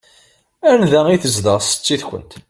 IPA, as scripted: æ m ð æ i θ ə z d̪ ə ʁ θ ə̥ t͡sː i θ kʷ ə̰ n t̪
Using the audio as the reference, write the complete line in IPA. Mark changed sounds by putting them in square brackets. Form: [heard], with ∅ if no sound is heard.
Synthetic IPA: æ [n] ð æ i θ ə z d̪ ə ʁ [s] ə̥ t͡sː i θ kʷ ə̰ n t̪